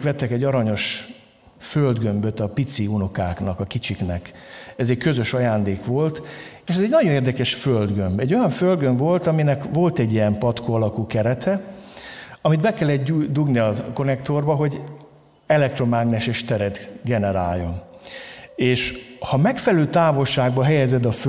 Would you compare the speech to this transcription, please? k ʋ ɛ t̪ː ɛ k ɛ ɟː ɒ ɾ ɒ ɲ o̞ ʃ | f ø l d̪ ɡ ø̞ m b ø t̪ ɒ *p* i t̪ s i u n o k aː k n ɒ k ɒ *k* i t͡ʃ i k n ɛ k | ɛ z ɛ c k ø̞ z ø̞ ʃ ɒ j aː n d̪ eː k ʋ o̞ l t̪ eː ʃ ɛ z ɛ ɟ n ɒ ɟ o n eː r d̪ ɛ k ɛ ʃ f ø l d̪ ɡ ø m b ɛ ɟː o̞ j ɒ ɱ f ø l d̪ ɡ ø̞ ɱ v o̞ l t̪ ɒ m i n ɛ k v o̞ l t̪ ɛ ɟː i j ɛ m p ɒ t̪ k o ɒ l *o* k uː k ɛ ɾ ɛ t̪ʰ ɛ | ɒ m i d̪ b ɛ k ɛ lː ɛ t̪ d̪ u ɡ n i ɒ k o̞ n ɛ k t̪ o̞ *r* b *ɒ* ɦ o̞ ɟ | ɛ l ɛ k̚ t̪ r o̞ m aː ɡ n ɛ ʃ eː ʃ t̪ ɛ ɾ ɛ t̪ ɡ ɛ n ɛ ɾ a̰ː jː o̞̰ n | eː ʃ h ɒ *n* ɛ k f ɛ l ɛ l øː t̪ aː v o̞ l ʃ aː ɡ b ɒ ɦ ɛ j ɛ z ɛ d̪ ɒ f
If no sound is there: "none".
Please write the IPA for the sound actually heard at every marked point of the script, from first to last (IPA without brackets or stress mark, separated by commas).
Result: p, k, ɒ, r, ɒ, m